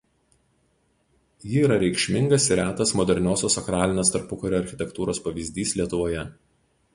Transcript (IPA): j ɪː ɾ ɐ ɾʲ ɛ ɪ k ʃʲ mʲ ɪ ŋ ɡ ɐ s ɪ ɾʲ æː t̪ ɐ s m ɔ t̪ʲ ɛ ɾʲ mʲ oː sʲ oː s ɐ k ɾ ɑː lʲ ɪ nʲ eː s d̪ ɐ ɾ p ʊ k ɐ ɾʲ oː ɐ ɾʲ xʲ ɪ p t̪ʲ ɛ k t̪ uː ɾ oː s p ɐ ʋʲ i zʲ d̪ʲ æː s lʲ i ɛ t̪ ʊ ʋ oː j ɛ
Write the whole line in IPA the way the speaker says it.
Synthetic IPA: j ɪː ɾ ɐ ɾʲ ɛ ɪ k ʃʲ mʲ ɪ ŋ ɡ ɐ s ɪ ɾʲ æː t̪ ɐ s m ɔ d̪ʲ ɛ ɾʲ nʲ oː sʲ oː s ɐ k ɾ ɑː lʲ ɪ nʲ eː s t̪ ɐ ɾ p ʊ k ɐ ɾʲ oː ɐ ɾʲ xʲ ɪ t̪ʲ ɛ k t̪ uː ɾ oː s p ɐ ʋʲ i zʲ d̪ʲ iː s lʲ i ɛ t̪ ʊ ʋ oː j ɛ